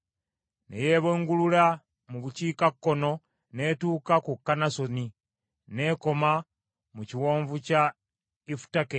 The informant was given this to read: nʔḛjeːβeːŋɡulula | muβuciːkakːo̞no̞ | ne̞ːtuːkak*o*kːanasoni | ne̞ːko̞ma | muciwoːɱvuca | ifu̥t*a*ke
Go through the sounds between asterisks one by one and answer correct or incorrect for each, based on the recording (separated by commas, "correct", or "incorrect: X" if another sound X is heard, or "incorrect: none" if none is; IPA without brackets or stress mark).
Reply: incorrect: u, correct